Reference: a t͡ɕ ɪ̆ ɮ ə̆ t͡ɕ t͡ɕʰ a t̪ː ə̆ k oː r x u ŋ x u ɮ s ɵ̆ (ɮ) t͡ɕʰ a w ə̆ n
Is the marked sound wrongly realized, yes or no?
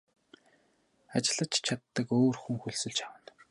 no